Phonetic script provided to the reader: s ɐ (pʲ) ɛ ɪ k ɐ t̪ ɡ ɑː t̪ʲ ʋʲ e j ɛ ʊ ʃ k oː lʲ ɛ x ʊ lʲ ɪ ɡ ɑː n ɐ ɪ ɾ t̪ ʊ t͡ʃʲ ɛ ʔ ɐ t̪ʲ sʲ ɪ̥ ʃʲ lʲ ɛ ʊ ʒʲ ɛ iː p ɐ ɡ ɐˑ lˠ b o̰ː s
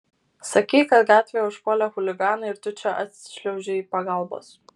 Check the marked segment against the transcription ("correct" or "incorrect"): incorrect